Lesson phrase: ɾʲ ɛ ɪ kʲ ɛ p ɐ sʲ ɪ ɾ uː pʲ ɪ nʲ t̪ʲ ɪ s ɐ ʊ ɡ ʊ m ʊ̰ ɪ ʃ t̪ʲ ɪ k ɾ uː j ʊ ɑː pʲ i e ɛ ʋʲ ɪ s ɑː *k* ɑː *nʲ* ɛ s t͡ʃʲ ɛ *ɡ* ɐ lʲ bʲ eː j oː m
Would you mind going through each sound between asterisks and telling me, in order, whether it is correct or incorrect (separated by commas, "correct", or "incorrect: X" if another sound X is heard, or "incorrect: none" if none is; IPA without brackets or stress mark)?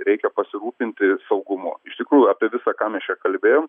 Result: correct, incorrect: mʲ, incorrect: k